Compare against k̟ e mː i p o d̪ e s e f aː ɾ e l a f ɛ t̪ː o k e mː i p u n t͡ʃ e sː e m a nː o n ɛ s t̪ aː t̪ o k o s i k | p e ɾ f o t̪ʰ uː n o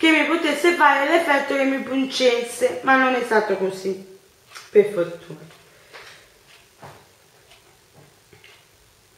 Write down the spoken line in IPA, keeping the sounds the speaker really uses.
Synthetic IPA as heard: k̟ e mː i p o t̪ e sː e f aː ɾ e l ɛ f ɛ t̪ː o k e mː i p u n t͡ʃ e sː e m a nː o n ɛ s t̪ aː t̪ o k o s i | p e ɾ f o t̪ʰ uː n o

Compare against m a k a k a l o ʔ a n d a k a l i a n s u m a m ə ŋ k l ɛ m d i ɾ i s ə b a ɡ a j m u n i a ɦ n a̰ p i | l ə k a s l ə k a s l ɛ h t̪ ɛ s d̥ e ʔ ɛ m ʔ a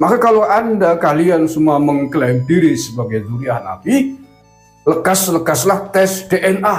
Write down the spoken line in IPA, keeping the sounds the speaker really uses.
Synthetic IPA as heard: m a k a k a l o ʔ a n d a k a l i a n s u m a m ə ŋ k l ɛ m d i ɾ i s ə b a ɡ a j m u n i a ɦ n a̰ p i | l ə k a s l ə k a s l a h t̪ ɛ s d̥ e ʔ ɛ n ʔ a

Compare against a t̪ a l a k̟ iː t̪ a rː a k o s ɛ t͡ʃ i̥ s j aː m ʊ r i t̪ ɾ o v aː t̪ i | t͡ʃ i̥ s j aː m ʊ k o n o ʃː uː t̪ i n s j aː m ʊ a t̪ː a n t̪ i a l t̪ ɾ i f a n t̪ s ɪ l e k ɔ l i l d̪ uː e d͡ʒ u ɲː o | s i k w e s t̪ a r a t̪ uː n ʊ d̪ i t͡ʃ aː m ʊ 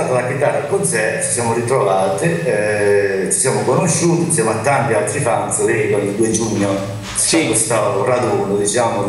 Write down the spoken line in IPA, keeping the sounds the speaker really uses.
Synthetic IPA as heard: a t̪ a l a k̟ i t̪ a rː a k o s ɛ t͡ʃ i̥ s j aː m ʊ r i t̪ ɾ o v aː t̪ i | t͡ʃ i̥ s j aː m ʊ k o n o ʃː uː t̪ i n s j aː m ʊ a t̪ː a n t̪ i a l t̪ ɾ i f a n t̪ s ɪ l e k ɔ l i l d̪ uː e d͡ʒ u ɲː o | s i k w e s t̪ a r a d̪ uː n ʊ d̪ i t͡ʃ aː m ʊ

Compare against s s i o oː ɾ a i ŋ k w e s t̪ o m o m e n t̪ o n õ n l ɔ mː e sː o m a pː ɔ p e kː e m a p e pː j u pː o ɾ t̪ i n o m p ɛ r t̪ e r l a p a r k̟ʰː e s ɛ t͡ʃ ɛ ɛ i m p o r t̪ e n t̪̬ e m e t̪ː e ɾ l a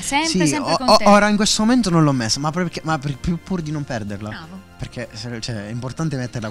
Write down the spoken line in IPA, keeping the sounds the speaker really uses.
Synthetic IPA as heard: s s i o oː ɾ a i ŋ k w e s t̪ o m o m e n t̪ o n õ n l ɔ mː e sː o m a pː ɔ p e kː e m a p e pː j u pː u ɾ d̪ i n o m p ɛ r d̪ e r l a p e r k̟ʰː e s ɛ t͡ʃ ɛ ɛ i m p o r t̪ a n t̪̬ e m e t̪ː e ɾ l a

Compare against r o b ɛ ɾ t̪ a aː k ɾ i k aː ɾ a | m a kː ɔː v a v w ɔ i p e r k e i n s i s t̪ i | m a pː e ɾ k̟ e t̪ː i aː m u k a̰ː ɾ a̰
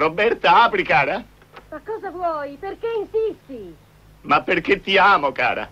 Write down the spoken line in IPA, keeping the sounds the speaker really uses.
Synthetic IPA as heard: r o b ɛ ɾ t̪ a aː p ɾ i k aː ɾ a | m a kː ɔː z a v w ɔ j p e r k e i n s i s t̪ i | m a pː e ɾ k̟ e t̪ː i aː m o k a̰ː ɾ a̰

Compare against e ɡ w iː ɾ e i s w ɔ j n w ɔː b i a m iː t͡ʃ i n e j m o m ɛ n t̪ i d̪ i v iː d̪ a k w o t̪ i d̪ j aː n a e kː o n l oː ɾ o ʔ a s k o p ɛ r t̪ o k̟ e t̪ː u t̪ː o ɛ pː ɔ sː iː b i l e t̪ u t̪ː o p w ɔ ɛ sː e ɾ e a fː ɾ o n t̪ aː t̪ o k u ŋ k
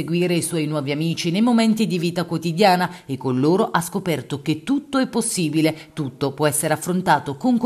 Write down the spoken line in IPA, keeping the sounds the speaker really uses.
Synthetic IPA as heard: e ɡ w iː ɾ e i s w ɔ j n w ɔː v i a m iː t͡ʃ i n e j m o m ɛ n t̪ i d̪ i v iː t̪ a k w o t̪ i d̪ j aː n a e kː o n l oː ɾ o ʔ a s k o p ɛ r t̪ o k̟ e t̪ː u t̪ː o ɛ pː o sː iː b i l e t̪ u t̪ː o p w ɔ ɛ sː e ɾ e a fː ɾ o n t̪ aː t̪ o k o ŋ k

